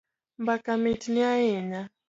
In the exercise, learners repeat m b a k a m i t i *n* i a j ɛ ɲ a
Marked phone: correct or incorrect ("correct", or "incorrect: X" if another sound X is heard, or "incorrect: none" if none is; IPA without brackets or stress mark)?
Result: correct